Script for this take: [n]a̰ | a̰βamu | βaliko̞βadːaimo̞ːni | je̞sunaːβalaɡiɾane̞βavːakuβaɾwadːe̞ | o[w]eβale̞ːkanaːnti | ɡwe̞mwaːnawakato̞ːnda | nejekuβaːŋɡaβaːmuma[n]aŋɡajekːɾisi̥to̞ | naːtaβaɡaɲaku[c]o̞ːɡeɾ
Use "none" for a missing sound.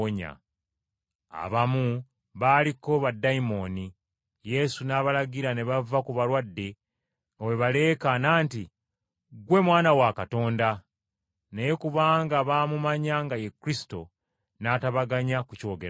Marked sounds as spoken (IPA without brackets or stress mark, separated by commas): ɲ, w, ɲ, c